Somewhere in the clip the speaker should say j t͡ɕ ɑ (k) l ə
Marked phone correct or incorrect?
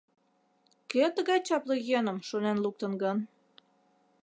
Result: incorrect